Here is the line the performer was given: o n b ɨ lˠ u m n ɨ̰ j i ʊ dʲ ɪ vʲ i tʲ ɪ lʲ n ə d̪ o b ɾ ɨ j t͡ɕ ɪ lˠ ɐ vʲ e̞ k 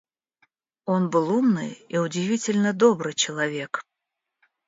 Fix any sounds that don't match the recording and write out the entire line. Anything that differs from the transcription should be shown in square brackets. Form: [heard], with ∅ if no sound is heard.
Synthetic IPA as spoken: o n b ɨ lˠ u m n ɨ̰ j i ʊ dʲ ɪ vʲ i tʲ ɪ lʲ n ə d̪ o b ɾ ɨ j t͡ɕ ɪ lˠ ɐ vʲ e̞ k